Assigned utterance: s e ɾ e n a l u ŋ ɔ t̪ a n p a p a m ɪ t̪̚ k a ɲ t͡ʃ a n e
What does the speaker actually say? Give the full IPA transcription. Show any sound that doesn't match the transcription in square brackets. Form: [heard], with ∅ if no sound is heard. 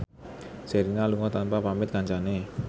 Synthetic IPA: s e ɾ [i] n a l u ŋ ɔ t̪ a n p a p a m ɪ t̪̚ k a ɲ t͡ʃ a n e